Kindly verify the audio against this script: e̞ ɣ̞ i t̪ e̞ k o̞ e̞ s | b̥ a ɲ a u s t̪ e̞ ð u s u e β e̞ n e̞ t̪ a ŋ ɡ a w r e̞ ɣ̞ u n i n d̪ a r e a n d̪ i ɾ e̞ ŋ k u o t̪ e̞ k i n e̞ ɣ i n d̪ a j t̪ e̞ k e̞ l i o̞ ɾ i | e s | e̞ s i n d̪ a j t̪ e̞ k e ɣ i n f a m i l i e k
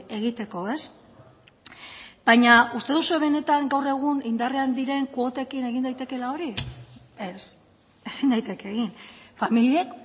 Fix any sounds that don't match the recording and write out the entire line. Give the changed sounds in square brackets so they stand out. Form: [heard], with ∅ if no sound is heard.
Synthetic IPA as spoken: e̞ ɣ̞ i t̪ e̞ k o̞ e̞ s | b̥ a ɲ a u s t̪ e̞ ð u s u e β e̞ n e̞ t̪ a ŋ ɡ a w r e̞ ɣ̞ u n i n d̪ a r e a n d̪ i ɾ e̞ ŋ k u o t̪ e̞ k i n e̞ ɣ i n d̪ a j t̪ e̞ k e̞ l [a] o̞ ɾ i | e s | e̞ s i n d̪ a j t̪ e̞ k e ɣ i n f a m i l i e k